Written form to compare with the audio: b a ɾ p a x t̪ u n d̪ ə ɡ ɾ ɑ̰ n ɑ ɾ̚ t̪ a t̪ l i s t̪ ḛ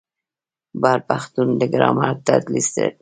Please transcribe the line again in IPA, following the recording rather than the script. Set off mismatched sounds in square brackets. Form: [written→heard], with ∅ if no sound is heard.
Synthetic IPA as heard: b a ɾ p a x t̪ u n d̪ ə ɡ ɾ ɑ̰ [n→m] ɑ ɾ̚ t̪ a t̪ l i s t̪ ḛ